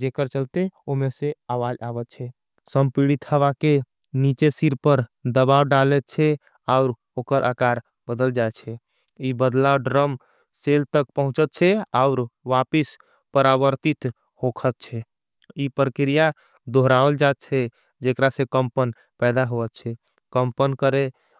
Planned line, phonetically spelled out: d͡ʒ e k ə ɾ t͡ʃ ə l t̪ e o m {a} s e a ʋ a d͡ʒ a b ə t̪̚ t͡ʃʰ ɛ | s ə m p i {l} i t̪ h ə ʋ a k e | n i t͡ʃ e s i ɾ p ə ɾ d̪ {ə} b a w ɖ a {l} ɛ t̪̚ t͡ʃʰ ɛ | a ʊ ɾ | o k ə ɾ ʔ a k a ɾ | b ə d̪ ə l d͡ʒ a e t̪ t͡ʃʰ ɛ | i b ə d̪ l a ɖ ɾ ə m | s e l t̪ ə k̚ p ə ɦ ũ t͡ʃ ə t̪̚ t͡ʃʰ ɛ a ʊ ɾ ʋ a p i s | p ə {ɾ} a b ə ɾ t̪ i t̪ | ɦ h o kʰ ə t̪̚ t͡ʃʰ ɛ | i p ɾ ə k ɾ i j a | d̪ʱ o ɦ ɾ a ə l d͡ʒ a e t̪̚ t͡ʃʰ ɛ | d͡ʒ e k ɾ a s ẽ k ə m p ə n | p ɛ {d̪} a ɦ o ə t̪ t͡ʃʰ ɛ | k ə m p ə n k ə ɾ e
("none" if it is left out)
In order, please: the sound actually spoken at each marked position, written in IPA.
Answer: e, ɽ, ə, l, ɾ, d̪

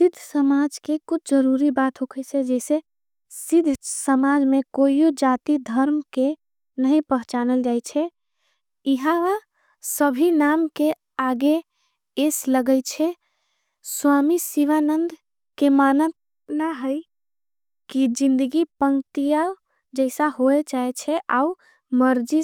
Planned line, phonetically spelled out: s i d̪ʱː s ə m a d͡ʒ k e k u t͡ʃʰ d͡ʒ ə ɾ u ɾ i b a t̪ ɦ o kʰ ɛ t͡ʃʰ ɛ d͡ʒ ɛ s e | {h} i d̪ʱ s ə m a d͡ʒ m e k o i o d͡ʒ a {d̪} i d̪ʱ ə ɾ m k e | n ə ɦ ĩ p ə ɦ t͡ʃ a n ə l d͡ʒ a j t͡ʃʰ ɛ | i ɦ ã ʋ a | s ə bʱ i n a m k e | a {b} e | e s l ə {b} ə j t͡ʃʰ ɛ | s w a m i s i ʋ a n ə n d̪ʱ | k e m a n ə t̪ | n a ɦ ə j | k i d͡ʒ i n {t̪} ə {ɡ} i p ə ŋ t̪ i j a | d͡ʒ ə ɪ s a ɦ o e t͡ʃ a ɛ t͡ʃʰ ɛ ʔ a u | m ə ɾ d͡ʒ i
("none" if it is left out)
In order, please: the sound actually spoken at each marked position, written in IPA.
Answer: s, t̪, ɡ, ɡ, d̪, ɡ

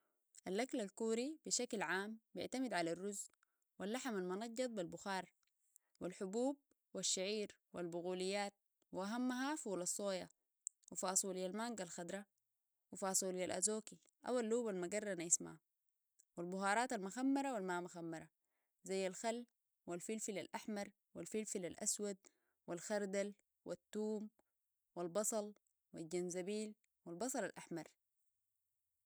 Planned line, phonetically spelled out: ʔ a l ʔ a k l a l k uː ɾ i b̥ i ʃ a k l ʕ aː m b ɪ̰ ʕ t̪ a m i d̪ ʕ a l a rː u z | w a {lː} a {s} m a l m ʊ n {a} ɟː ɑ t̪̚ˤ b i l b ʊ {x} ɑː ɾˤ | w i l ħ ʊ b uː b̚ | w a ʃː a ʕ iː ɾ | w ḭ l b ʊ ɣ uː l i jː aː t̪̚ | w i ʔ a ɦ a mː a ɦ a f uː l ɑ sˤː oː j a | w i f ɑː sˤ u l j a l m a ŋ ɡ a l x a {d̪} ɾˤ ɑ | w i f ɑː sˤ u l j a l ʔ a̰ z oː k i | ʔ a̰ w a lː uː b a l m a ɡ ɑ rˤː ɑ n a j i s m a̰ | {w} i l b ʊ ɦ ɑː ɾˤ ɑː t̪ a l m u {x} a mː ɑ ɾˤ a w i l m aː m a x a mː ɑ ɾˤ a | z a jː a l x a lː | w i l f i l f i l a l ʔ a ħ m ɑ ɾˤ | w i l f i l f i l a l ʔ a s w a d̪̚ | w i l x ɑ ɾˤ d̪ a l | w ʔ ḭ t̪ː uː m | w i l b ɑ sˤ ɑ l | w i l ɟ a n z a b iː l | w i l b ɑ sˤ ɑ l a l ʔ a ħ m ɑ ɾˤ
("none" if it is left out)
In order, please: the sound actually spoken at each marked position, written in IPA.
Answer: lː, ħ, ɑ, x, d̪, w, x

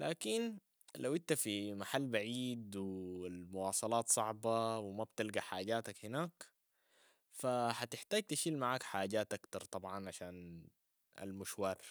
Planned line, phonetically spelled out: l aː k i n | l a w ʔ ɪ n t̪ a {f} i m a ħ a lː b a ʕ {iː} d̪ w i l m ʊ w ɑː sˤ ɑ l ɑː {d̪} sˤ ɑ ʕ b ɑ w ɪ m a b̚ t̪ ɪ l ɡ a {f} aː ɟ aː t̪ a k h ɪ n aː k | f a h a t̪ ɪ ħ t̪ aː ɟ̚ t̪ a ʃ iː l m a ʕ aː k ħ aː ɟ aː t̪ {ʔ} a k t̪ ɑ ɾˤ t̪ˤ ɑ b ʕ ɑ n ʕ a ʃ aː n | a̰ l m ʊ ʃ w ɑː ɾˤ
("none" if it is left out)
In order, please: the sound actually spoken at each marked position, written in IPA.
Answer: f, iː, t̪, ħ, ʔ

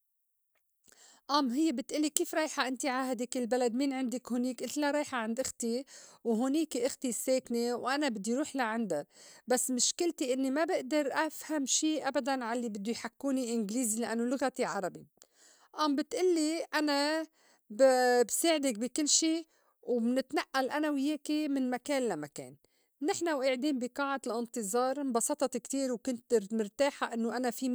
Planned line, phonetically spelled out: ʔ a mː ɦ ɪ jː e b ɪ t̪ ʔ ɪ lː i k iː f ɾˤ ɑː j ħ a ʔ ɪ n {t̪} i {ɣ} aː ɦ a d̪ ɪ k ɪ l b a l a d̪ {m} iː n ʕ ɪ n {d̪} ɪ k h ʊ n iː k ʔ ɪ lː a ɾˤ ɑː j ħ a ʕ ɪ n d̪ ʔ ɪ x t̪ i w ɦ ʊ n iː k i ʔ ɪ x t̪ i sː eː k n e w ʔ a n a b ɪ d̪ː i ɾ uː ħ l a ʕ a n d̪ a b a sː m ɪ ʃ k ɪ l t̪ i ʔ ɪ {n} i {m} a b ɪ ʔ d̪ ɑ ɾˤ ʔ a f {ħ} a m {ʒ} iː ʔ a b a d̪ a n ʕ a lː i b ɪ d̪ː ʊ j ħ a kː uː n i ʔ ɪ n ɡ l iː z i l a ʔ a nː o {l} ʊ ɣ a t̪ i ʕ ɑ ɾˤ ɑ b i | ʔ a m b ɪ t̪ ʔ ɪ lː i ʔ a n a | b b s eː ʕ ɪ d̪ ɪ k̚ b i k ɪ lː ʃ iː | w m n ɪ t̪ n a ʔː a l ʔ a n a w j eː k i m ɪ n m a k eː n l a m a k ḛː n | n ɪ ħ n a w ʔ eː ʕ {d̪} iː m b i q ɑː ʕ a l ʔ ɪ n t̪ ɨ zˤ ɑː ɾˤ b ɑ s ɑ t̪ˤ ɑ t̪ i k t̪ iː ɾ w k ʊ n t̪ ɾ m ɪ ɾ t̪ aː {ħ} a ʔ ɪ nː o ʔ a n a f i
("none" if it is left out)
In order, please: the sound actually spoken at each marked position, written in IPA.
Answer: t̪, ʕ, m, d̪, nː, m, h, ʃ, l, d̪, ħ

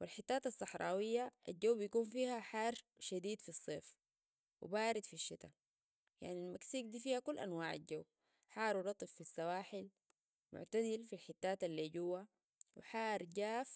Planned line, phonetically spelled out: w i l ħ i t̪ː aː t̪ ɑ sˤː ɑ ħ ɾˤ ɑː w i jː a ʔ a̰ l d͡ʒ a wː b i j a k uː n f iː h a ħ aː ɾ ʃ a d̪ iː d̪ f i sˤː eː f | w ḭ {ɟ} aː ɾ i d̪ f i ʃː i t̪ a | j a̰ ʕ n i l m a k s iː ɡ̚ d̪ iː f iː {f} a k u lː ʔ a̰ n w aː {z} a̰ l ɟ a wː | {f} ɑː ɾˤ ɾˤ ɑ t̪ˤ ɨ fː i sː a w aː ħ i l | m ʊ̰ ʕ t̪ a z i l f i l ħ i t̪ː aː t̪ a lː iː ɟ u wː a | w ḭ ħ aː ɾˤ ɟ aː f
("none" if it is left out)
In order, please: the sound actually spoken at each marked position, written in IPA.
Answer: b, h, ʕ, ħ

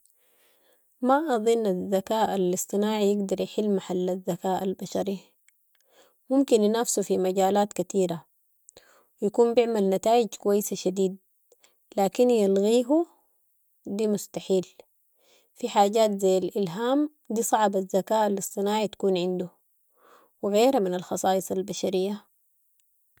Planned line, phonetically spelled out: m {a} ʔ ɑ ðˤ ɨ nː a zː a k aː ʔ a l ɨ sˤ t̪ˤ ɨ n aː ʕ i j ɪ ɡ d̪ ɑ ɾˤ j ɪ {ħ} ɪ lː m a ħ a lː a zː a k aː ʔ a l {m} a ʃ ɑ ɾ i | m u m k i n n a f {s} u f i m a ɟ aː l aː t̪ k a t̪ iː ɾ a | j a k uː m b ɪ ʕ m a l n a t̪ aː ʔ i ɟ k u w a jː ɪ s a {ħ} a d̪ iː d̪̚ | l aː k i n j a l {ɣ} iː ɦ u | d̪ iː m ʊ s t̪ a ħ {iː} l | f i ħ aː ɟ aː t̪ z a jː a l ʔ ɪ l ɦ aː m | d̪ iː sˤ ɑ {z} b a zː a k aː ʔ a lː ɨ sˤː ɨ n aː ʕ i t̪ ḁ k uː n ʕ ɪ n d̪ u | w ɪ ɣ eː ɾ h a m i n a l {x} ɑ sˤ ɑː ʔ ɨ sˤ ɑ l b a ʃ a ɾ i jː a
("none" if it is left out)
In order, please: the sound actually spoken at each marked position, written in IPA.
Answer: a, ħ, b, s, ʃ, ɣ, iː, ʕ, x

